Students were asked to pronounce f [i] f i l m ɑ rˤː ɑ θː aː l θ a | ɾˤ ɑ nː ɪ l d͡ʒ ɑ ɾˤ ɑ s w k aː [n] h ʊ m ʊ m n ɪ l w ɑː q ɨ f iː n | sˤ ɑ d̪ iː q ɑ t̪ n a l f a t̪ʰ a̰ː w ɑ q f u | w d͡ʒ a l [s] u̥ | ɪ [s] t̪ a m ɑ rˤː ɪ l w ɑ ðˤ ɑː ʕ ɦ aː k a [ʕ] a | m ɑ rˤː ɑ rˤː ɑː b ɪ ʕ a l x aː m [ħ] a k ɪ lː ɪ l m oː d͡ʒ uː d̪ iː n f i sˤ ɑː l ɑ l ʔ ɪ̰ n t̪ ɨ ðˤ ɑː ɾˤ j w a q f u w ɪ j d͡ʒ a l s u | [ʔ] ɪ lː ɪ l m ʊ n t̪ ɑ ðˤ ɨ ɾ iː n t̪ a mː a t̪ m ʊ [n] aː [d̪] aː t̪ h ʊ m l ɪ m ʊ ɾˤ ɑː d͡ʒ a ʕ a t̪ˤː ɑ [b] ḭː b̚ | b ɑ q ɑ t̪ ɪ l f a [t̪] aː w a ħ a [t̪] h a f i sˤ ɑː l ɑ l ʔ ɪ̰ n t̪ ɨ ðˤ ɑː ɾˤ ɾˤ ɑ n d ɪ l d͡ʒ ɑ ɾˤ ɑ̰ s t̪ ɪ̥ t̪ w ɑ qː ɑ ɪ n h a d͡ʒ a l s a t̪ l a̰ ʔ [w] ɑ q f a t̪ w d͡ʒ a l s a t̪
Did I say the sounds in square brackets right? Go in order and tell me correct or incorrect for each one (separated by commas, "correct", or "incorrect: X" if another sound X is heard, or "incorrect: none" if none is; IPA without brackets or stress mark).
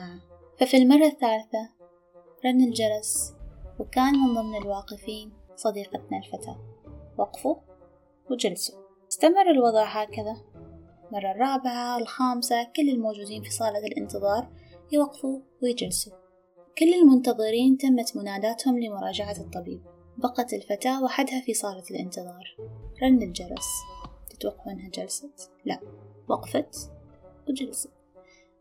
incorrect: a, correct, correct, correct, incorrect: ð, incorrect: s, incorrect: k, correct, correct, correct, correct, incorrect: d̪, correct